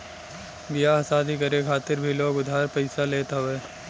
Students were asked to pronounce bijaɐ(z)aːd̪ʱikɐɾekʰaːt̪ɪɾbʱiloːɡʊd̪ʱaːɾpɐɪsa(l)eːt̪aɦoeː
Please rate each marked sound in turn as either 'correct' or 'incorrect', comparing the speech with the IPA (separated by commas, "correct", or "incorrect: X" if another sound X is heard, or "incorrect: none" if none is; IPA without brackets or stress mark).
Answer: incorrect: s, correct